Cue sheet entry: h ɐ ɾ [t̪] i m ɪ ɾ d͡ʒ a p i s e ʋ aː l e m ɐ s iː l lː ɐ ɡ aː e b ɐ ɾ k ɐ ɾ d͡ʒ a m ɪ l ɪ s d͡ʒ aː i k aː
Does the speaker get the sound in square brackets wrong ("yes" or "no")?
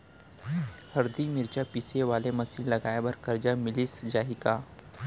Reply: yes